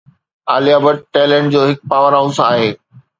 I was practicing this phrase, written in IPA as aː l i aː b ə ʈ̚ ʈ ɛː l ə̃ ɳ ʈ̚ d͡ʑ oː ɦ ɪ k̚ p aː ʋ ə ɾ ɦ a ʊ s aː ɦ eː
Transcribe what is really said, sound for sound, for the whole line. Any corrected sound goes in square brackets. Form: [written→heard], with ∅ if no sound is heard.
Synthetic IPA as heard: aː l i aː b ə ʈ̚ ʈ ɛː l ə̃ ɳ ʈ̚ d͡ʑ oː ɦ ɪ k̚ p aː ʋ ə ɾ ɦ a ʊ s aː ɦ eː